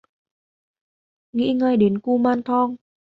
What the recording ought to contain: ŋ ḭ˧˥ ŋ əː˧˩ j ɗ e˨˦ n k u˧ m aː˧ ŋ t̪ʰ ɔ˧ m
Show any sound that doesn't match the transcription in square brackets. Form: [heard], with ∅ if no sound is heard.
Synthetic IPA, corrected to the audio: ŋ ḭ˧˥ ŋ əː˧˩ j ɗ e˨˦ n k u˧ m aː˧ [n] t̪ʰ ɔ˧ [ŋ]